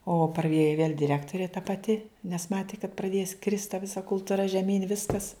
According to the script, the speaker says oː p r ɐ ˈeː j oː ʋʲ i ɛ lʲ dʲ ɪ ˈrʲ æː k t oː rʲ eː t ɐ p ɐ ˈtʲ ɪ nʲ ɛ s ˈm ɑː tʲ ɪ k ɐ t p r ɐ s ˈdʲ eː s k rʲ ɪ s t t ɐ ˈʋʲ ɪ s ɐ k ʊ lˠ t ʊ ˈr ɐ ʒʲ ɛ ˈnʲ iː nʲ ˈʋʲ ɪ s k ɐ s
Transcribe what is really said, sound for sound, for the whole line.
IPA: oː p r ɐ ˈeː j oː ʋʲ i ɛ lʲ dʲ ɪ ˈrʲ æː k t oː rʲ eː t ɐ p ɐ ˈtʲ ɪ nʲ ɛ s ˈm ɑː tʲ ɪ k ɐ t p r ɐ ˈdʲ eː s k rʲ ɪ s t t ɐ ˈʋʲ ɪ s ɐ k ʊ lˠ t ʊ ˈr ɐ ʒʲ ɛ ˈmʲ iː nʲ ˈʋʲ ɪ s k ɐ s